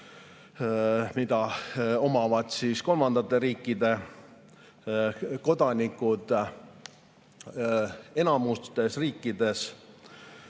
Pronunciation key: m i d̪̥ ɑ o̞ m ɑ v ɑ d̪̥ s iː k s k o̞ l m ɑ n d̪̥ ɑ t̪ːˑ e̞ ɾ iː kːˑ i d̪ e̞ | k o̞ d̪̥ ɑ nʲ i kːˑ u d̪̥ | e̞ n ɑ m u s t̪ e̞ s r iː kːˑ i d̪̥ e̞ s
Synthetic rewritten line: m i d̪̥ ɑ o̞ m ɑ v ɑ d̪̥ s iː s k o̞ l m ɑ n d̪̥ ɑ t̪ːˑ e̞ ɾ iː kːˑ i d̪ e̞ | k o̞ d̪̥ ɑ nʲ i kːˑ u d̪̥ | e̞ n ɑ m u s t̪ e̞ s r iː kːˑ i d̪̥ e̞ s

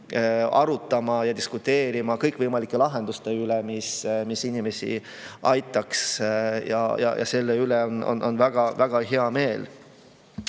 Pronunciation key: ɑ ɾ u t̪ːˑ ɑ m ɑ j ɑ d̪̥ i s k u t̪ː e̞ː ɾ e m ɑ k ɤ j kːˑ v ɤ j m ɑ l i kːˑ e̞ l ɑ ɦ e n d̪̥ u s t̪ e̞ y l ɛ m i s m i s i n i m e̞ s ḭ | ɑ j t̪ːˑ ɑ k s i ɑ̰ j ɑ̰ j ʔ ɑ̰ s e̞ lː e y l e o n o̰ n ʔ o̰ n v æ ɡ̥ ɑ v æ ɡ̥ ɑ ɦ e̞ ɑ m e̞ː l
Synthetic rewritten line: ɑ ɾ u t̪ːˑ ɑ m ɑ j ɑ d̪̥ i s k u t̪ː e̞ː ɾ i m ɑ k ɤ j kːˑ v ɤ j m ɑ l i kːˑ e̞ l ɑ ɦ e n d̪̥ u s t̪ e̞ y l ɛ m i s m i s i n i m e̞ s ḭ | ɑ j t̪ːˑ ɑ k s j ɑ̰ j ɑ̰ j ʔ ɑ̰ s e̞ lː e y l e o n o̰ n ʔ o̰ n v æ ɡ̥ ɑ v æ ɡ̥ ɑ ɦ e̞ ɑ m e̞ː l

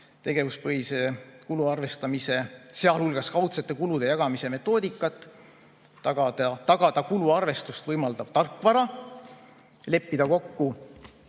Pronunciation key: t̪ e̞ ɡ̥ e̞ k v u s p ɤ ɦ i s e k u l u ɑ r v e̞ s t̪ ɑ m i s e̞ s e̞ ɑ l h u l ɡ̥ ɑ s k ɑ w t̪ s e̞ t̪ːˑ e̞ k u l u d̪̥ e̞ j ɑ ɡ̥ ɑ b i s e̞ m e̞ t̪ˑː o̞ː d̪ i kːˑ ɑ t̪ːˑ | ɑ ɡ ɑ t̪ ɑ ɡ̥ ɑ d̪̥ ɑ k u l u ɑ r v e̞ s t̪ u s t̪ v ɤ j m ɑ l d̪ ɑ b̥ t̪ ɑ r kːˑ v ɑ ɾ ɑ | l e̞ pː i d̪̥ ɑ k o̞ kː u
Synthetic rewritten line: t̪ e̞ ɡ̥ e̞ v u s p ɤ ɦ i s e k u l u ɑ r v e̞ s t̪ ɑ m i s e̞ s e̞ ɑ l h u l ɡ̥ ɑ s k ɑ w t̪ s e̞ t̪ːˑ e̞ k u l u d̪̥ e̞ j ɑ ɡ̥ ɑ m i s e̞ m e̞ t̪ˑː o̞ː d̪ i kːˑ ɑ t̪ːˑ | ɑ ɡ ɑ t̪ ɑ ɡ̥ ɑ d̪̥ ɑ k u l u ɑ r v e̞ s t̪ u s t̪ v ɤ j m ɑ l d̪ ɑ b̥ t̪ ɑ r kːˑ v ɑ ɾ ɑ | l e̞ pː i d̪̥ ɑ k o̞ kː u

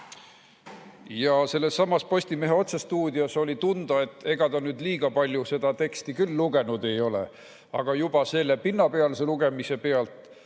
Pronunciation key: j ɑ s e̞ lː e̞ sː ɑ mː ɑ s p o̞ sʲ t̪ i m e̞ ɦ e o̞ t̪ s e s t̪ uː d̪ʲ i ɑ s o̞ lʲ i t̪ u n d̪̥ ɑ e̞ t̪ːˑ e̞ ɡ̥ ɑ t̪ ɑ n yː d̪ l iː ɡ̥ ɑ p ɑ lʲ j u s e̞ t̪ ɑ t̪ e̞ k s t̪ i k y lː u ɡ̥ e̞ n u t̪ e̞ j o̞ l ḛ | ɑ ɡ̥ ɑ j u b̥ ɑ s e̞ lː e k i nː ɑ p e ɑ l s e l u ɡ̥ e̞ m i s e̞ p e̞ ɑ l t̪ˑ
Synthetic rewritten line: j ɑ s e̞ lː e̞ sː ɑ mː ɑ s p o̞ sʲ t̪ i m e̞ ɦ e o̞ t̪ s e s t̪ uː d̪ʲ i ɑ s o̞ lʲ i t̪ u n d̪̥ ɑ e̞ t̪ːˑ e̞ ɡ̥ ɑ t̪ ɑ n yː d̪ l iː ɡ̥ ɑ p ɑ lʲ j u s e̞ d̪ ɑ t̪ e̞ k s t̪ i k y lː u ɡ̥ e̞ n u d̪ e̞ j o̞ l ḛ | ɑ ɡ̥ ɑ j u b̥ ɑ s e̞ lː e p i nː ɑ p e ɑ l s e l u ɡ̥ e̞ m i s e̞ p e̞ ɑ l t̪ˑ

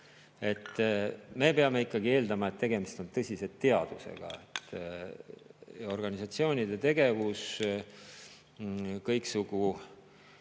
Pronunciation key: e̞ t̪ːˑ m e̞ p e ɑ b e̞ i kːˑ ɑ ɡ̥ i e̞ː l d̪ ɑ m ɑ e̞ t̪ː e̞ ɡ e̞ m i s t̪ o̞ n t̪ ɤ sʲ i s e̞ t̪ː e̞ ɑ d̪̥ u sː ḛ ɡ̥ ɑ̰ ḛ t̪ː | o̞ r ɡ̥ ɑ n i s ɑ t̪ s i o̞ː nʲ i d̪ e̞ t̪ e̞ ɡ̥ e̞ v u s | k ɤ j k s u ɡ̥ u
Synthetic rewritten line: e̞ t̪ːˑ m e̞ p e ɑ m e̞ i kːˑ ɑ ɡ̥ i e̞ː l d̪ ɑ m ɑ e̞ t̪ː e̞ ɡ e̞ m i s t̪ o̞ n t̪ ɤ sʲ i s e̞ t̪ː e̞ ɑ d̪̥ u s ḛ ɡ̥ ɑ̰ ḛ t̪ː | o̞ r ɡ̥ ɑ n i s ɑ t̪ s i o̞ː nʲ i d̪ e̞ t̪ e̞ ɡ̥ e̞ v u s | k ɤ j k s u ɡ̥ u

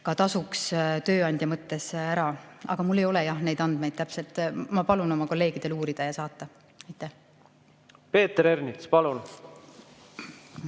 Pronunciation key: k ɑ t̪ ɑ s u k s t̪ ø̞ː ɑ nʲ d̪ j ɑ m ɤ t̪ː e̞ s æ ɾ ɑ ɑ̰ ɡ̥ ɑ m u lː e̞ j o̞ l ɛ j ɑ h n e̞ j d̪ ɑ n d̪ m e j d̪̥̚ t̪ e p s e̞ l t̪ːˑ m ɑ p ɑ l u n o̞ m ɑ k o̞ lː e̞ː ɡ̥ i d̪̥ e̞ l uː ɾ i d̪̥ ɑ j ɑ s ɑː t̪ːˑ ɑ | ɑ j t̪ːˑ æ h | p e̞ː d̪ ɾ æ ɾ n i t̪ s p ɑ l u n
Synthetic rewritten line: k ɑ t̪ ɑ s u k s t̪ ø̞ː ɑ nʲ d̪ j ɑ m ɤ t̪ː e̞ s æ ɾ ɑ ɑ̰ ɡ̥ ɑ m u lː e̞ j o̞ l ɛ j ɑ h n e̞ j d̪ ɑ n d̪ m e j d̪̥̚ t̪ æ p s e̞ l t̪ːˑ m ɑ p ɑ l u n o̞ m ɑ k o̞ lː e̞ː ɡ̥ i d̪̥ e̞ l uː ɾ i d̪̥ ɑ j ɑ s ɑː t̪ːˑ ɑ | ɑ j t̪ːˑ æ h | p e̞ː t̪ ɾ e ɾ n i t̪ s p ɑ l u n

